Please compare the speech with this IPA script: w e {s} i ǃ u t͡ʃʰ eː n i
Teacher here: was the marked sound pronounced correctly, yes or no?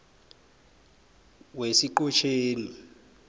yes